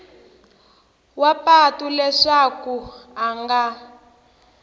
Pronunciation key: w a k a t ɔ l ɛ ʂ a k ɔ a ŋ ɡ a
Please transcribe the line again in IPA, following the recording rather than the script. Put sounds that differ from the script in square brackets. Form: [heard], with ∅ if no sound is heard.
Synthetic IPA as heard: w a [p] a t [u] l ɛ ʂ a k [u] a ŋ ɡ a